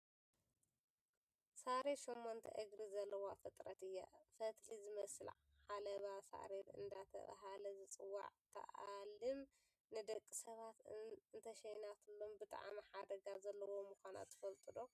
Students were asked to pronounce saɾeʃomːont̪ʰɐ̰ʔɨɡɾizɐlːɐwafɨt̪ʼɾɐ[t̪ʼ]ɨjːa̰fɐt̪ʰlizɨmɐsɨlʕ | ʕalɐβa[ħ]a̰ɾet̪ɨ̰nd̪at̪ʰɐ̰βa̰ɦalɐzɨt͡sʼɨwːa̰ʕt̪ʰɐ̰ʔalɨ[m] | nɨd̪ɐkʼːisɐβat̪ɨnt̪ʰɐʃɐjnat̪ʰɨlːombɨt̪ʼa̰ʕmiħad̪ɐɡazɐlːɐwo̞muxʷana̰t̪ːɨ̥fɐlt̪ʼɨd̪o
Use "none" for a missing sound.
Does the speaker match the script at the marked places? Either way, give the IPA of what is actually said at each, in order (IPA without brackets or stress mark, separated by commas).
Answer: t̪, s, m